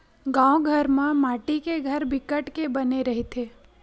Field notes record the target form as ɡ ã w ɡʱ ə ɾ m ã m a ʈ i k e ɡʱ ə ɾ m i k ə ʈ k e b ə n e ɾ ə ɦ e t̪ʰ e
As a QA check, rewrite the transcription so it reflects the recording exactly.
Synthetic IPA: ɡ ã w ɡʱ ə ɾ m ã m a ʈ i k e ɡʱ ə ɾ b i k ə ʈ k e b ə n e ɾ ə ɦ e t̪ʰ e